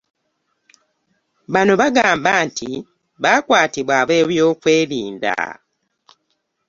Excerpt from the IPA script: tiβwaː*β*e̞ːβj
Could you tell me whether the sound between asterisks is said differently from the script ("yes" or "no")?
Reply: no